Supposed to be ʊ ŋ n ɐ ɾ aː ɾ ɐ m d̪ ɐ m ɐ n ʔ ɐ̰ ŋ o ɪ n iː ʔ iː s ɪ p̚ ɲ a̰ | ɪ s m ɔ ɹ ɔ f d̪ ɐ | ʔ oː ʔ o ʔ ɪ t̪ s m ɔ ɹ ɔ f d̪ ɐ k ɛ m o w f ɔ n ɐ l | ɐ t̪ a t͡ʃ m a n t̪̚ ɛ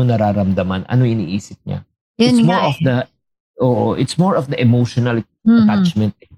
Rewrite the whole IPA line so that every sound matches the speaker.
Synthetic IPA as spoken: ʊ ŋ n ɐ ɾ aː ɾ ɐ m d̪ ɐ m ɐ n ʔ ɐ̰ n o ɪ n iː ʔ iː s ɪ p̚ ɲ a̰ | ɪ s m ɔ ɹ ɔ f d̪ ɐ | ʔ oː ʔ o ʔ ɪ t̪ s m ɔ ɹ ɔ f d̪ ɐ ʔ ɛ m o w ʃ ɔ n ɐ l | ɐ t̪ a t͡ʃ m ɛ n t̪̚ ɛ